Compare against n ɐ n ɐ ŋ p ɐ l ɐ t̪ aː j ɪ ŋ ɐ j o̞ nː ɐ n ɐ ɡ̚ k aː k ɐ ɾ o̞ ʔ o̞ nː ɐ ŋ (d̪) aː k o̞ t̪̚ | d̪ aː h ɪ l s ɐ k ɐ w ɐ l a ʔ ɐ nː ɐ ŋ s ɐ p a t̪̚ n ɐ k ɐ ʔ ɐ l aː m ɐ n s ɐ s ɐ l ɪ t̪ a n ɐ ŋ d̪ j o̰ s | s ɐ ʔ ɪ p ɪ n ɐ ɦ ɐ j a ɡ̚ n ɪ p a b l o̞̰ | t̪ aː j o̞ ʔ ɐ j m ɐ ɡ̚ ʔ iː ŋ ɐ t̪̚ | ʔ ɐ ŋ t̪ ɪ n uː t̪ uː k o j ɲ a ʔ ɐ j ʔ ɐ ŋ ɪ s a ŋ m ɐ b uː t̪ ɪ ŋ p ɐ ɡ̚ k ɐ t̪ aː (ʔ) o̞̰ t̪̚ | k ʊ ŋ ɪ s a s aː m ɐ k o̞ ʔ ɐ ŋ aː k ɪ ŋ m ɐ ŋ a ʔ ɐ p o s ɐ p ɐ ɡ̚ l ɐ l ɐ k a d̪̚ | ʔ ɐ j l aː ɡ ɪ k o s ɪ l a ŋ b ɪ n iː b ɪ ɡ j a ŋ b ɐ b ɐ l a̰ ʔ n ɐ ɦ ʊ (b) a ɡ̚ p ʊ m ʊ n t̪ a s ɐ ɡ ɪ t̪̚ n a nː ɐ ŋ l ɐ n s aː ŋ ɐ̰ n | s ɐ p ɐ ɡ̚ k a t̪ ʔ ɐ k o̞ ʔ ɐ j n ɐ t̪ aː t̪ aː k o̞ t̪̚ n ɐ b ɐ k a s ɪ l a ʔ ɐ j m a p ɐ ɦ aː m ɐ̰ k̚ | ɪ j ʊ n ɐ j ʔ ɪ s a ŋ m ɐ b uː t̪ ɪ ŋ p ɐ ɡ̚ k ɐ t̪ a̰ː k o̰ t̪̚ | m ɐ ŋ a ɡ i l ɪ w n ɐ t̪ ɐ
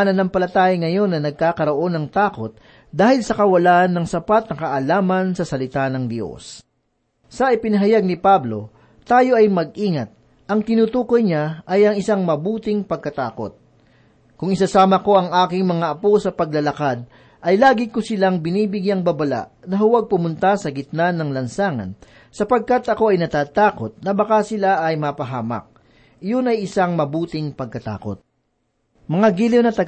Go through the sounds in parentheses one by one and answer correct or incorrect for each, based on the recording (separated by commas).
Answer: incorrect, incorrect, incorrect